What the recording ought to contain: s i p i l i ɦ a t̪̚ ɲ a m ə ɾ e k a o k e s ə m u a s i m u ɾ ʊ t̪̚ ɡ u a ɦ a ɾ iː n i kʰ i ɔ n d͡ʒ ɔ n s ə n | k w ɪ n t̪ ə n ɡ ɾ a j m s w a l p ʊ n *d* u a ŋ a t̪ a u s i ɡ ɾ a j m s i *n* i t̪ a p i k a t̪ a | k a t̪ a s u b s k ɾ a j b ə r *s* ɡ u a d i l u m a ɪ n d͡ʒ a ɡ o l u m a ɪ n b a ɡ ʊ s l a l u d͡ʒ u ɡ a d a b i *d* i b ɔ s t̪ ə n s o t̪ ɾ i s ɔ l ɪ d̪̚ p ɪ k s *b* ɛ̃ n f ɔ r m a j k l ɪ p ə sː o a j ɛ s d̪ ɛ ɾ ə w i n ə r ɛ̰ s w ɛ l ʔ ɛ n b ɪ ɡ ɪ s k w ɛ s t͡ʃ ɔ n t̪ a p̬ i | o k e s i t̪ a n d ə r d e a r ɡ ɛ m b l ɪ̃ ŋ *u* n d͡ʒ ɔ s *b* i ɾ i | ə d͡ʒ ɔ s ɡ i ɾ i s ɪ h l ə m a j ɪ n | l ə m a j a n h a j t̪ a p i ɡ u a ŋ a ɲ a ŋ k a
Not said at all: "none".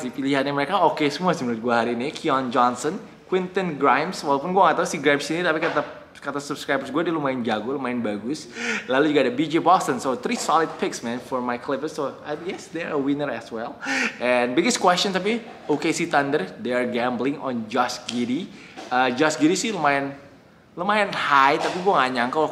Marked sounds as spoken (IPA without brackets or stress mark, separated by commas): ɡ, n, s, d͡ʒ, m, ɔ, ɡ